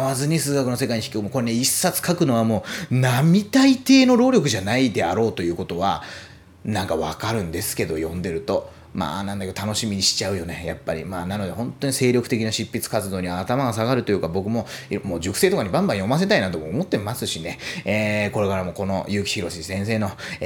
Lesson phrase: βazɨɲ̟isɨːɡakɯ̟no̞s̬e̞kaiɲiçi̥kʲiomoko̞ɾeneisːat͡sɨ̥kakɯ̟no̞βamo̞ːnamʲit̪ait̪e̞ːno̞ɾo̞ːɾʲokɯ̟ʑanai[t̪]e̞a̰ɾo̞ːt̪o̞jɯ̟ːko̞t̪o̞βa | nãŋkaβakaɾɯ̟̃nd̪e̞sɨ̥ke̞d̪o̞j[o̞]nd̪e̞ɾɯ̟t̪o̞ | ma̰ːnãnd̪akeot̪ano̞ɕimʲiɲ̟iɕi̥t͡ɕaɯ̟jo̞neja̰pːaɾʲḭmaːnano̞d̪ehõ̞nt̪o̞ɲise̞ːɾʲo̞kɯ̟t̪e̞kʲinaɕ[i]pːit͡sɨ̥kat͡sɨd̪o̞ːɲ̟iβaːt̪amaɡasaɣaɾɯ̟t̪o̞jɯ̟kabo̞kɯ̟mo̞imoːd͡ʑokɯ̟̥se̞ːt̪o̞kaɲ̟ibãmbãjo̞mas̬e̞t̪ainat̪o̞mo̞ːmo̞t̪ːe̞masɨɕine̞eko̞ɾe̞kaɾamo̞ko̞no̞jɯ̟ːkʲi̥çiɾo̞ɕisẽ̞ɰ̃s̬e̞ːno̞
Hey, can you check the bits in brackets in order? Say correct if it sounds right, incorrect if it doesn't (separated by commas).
incorrect, incorrect, correct